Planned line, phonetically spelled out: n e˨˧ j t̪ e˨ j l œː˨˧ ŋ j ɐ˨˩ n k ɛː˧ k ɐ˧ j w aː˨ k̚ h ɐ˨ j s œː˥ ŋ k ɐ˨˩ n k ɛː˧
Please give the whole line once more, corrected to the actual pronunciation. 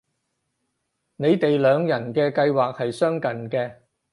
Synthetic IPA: n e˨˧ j t̪ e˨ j l œː˨˧ ŋ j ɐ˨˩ n k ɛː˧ k ɐ˧ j w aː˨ k̚ h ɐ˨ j s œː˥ ŋ k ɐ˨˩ n k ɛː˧